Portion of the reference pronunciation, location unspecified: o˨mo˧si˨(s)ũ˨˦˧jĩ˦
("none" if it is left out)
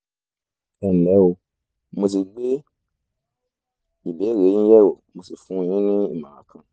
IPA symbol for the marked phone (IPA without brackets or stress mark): f